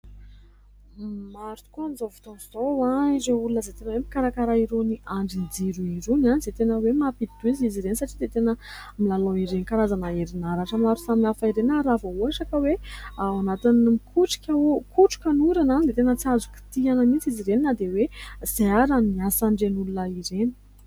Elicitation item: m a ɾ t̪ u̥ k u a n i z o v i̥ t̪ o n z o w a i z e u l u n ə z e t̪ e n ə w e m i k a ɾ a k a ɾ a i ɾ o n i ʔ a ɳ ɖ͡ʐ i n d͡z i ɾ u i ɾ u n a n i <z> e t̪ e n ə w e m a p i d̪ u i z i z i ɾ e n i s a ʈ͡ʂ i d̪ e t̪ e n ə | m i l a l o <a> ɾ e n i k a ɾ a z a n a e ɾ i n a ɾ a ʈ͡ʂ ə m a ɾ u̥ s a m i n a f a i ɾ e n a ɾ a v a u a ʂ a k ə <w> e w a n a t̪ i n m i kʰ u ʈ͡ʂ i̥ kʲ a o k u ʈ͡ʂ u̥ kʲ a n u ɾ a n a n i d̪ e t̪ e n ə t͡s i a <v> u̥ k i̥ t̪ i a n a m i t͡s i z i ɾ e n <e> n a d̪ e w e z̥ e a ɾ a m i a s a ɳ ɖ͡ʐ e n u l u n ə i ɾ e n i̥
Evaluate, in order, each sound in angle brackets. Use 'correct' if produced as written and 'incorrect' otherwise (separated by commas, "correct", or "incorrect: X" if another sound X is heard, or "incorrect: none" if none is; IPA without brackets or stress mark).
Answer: correct, incorrect: i, correct, incorrect: z, incorrect: i